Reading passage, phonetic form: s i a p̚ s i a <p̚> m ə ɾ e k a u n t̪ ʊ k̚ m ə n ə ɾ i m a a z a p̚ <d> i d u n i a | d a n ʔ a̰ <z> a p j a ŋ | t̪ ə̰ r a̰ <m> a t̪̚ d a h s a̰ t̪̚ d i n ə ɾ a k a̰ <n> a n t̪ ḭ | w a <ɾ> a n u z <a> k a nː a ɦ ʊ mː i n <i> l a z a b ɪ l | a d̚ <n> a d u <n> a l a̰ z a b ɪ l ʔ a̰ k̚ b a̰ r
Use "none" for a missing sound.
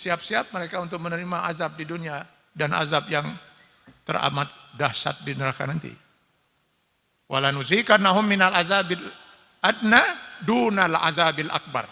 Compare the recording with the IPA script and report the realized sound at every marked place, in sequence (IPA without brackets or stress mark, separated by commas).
p̚, d, z, m, n, l, i, a, n, n